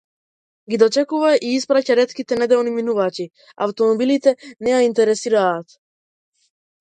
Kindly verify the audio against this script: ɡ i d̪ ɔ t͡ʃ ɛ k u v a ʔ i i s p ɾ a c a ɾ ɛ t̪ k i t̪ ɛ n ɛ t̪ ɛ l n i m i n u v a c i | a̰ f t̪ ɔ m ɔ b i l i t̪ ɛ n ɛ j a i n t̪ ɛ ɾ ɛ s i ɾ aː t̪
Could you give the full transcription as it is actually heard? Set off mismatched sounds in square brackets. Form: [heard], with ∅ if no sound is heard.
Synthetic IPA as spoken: ɡ i d̪ ɔ t͡ʃ ɛ k u v a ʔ i i s p ɾ a c a ɾ ɛ t̪ k i t̪ ɛ n ɛ [d̪] ɛ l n i m i n u v a c i | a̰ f t̪ ɔ m ɔ b i l i t̪ ɛ n ɛ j a i n t̪ ɛ ɾ ɛ s i ɾ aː t̪